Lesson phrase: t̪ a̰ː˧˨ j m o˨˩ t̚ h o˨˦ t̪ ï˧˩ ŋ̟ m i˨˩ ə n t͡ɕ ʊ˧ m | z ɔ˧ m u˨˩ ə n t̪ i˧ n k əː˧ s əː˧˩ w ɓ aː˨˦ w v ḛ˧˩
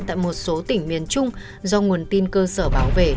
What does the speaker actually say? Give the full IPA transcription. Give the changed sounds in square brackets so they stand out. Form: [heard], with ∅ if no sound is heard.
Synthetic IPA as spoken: t̪ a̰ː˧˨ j m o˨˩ t̚ [s] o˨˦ t̪ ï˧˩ ŋ̟ m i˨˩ ə n t͡ɕ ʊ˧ [ŋ͡m] | z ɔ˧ [ŋ] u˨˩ ə n t̪ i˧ n k əː˧ s əː˧˩ [∅] ɓ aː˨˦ w v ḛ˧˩

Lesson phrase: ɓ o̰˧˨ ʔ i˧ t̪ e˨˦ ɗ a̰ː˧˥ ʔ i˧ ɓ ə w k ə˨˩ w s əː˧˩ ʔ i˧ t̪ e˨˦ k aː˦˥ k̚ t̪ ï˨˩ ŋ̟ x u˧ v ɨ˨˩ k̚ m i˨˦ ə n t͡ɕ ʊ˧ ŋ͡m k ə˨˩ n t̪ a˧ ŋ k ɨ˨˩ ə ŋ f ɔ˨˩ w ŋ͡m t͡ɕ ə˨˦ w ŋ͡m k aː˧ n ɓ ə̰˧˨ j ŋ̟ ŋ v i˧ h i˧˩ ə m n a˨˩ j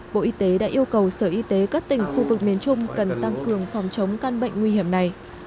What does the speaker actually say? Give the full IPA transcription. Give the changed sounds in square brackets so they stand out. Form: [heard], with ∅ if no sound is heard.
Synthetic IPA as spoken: ɓ o̰˧˨ ʔ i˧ t̪ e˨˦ ɗ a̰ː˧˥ ʔ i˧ [∅] ə w k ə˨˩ w s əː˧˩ ʔ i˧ t̪ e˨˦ k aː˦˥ k̚ t̪ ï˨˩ ŋ̟ x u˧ v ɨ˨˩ k̚ m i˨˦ ə n t͡ɕ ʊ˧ ŋ͡m k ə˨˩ n t̪ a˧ ŋ k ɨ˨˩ ə ŋ f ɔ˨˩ w ŋ͡m t͡ɕ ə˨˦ w ŋ͡m k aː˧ n ɓ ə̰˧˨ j ŋ̟ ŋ [w] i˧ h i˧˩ ə m n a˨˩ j

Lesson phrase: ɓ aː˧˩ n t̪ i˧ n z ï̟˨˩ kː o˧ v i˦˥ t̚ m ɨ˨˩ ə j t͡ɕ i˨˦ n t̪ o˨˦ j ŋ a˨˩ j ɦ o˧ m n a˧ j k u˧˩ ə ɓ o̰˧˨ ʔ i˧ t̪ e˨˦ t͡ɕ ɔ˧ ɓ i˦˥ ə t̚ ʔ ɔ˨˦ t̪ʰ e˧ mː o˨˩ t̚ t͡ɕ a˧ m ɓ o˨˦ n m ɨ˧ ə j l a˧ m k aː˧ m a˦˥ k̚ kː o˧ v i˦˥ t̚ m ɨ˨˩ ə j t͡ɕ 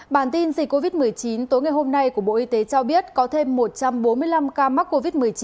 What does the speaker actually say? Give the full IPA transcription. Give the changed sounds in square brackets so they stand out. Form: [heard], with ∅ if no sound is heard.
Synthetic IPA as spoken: ɓ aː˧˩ n t̪ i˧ n z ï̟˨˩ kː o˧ v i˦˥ t̚ m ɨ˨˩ ə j t͡ɕ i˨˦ n t̪ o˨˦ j ŋ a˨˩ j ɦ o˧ m n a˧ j k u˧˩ ə ɓ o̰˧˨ ʔ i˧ t̪ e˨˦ t͡ɕ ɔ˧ ɓ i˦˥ ə t̚ [k] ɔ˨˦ t̪ʰ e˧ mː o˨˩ t̚ t͡ɕ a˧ m ɓ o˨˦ n m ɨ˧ ə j l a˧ m k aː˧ m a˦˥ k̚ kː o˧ v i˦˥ t̚ m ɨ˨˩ ə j t͡ɕ

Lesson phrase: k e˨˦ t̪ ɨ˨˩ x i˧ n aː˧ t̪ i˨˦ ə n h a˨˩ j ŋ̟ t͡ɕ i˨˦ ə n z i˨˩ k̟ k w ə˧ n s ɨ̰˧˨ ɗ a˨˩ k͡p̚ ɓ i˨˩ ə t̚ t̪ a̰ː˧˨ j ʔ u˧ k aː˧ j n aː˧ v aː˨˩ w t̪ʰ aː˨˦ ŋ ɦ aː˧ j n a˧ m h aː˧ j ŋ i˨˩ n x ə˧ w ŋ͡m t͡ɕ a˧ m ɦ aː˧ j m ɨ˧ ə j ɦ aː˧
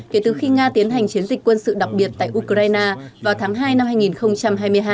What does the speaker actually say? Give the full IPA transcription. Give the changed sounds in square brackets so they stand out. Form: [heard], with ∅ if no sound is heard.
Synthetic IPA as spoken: k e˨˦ t̪ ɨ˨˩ x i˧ [ŋ] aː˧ t̪ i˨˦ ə n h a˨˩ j ŋ̟ t͡ɕ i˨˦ ə n z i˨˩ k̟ k w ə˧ n s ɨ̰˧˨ ɗ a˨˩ k͡p̚ ɓ i˨˩ ə t̚ t̪ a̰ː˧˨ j ʔ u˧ k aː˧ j n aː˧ v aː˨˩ w t̪ʰ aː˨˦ ŋ ɦ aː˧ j n a˧ m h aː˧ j ŋ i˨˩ n x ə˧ w ŋ͡m t͡ɕ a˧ m ɦ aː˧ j m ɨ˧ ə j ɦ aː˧

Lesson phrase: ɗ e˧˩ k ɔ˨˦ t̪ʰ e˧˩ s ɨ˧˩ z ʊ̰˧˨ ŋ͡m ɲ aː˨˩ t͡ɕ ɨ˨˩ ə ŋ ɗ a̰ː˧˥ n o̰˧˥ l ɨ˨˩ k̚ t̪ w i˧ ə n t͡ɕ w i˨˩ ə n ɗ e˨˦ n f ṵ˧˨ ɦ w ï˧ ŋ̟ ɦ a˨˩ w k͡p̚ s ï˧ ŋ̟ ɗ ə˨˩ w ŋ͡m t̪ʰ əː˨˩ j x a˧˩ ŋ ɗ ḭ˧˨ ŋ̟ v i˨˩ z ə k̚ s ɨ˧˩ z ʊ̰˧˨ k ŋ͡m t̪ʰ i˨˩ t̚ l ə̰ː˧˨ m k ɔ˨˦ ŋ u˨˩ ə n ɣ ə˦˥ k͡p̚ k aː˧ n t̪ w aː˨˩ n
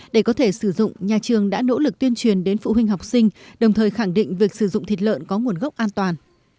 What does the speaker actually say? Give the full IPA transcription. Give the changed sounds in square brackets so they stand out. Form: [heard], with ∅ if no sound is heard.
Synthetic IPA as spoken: ɗ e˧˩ k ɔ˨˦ t̪ʰ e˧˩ s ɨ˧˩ z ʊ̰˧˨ ŋ͡m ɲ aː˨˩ t͡ɕ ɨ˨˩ ə ŋ ɗ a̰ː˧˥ n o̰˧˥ l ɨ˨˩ k̚ t̪ w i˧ ə n t͡ɕ w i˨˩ ə n ɗ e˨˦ n f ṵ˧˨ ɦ w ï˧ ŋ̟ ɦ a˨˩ w k͡p̚ s ï˧ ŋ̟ ɗ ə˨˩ w ŋ͡m t̪ʰ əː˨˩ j x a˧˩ ŋ ɗ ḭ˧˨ ŋ̟ v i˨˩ [∅] ə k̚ s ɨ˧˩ z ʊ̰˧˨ [∅] ŋ͡m t̪ʰ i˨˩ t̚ l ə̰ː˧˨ [n] k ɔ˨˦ ŋ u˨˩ ə n ɣ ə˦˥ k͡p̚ [ʔ] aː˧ n t̪ w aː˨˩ n

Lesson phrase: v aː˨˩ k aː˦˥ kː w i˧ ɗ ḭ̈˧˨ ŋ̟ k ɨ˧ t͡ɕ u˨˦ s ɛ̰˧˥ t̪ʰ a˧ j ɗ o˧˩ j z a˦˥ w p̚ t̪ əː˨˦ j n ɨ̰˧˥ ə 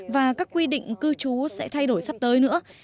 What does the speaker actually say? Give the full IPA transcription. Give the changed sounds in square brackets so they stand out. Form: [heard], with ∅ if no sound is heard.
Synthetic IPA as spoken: v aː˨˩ k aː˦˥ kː w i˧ ɗ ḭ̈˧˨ ŋ̟ k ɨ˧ t͡ɕ u˨˦ s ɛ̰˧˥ t̪ʰ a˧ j ɗ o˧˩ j [s] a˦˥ [∅] p̚ t̪ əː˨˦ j n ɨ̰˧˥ ə

